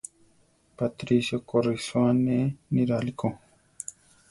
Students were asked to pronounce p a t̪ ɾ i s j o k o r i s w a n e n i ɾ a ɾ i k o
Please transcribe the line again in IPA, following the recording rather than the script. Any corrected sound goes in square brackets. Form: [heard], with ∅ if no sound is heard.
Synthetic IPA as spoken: p a t̪ ɾ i s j o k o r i s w a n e n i ɾ a [l] i k o